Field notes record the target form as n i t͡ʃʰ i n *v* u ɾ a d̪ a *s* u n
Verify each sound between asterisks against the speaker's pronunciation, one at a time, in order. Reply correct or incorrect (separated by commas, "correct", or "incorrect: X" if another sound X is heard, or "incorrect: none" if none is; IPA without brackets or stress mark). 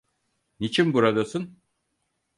incorrect: b, correct